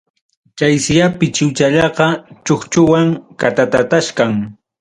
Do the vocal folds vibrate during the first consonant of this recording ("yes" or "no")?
no